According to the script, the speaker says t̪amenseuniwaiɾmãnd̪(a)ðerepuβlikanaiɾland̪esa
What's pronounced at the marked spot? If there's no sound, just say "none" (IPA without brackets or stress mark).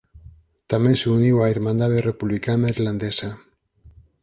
a